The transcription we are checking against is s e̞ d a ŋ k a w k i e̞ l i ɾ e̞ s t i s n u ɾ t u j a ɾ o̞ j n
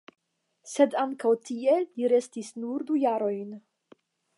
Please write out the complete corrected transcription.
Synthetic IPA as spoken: s e̞ d a ŋ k a w t i e̞ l i ɾ e̞ s t i s n u ɾ d u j a ɾ o̞ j n